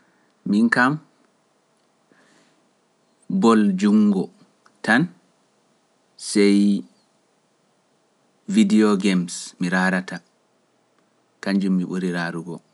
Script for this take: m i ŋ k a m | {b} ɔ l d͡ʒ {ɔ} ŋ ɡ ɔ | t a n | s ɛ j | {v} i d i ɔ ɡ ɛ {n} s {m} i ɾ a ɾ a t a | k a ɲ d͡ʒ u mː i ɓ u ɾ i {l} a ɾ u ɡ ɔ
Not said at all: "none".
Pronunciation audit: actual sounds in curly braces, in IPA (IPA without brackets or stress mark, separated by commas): b, u, v, m, m, ɾ